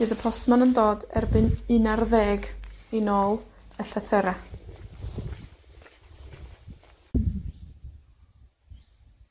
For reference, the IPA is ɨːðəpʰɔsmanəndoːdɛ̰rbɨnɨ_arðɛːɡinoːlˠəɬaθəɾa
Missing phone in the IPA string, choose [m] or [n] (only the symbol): n